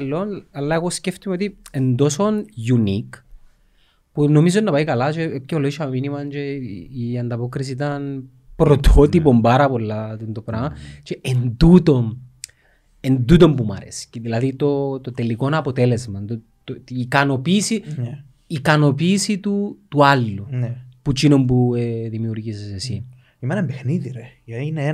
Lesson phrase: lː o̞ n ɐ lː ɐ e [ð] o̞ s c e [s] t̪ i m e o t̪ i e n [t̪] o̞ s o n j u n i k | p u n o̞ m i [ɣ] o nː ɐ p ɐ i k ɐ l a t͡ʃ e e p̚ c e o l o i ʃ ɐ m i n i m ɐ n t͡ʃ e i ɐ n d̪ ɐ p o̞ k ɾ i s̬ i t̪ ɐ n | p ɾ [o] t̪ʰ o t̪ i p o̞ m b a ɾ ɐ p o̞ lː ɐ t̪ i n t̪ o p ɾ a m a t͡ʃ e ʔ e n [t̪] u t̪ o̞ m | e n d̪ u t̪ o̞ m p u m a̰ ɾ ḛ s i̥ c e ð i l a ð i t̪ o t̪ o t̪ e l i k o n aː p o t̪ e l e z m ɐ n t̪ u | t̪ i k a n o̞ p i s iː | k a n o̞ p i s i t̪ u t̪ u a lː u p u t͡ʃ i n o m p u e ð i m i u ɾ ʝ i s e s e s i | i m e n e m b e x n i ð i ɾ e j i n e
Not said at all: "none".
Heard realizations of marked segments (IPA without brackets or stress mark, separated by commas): ɣ, f, d̪, z, o, d̪